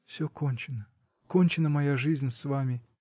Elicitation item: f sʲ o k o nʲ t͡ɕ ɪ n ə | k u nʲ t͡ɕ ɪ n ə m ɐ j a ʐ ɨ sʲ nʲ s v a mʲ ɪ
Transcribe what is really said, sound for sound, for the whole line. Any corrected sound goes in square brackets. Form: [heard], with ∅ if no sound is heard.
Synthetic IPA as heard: f sʲ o k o nʲ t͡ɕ ɪ n ə | k [o] nʲ t͡ɕ ɪ n ə m ɐ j a ʐ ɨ [zʲ] nʲ s v a mʲ ɪ